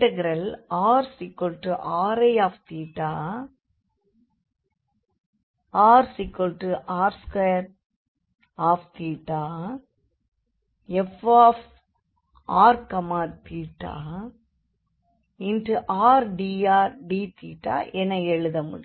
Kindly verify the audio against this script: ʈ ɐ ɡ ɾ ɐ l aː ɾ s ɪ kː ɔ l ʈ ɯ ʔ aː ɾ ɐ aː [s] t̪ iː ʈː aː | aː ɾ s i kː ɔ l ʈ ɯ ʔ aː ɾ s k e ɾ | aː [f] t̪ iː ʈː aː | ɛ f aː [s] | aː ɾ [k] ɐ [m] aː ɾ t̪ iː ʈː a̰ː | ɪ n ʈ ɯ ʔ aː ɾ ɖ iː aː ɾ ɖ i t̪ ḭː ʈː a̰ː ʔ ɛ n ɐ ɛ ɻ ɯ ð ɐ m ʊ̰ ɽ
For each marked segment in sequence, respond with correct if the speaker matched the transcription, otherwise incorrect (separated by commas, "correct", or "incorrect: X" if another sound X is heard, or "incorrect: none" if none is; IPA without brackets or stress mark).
incorrect: f, correct, incorrect: f, correct, correct